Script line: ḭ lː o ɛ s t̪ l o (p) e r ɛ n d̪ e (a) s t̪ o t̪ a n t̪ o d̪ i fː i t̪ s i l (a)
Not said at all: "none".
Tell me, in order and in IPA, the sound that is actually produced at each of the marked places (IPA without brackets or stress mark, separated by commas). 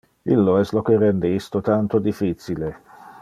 k, i, e